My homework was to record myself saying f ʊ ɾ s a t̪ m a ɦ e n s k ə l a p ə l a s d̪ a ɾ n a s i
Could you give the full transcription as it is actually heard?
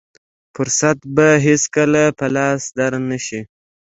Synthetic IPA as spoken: f ʊ ɾ s a t̪ b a ɦ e s k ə l a p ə l ɑ s d̪ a ɾ n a ʃ i